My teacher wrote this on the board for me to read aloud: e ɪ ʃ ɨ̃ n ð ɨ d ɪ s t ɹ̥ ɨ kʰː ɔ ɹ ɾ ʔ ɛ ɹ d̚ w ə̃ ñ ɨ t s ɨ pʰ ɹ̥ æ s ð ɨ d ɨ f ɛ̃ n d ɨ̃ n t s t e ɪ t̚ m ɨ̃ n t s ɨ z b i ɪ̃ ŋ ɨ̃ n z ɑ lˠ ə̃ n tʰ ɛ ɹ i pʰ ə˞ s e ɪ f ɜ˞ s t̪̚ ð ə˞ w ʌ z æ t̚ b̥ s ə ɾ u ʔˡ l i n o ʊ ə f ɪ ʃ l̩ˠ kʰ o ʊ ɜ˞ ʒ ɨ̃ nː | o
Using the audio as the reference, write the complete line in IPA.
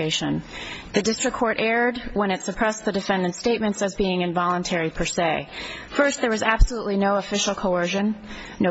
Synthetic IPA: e ɪ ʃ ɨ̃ n ð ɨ d ɪ s t ɹ̥ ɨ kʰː ɔ ɹ ɾ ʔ ɛ ɹ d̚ w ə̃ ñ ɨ t s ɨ pʰ ɹ̥ ɛ s ð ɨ d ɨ f ɛ̃ n d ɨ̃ n t s t e ɪ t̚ m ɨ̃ n t s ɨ z b i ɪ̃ ŋ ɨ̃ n v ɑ lˠ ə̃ n tʰ ɛ ɹ i pʰ ə˞ s e ɪ f ɜ˞ s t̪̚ ð ə˞ w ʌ z æ b̥ s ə l u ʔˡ l i n o ʊ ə f ɪ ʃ l̩ˠ kʰ o ʊ ɜ˞ ʒ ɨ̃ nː | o